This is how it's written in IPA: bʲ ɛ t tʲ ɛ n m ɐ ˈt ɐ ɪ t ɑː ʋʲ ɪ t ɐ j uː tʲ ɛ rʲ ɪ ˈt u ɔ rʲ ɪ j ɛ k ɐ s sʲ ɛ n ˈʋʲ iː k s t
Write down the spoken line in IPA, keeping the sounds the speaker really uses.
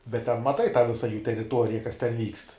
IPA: bʲ ɛ t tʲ ɛ n m ɐ ˈt ɐ ɪ t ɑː ʋʲ ɪ s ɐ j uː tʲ ɛ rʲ ɪ ˈt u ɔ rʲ ɪ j ɛ k ɐ s tʲ ɛ n ˈʋʲ iː k s t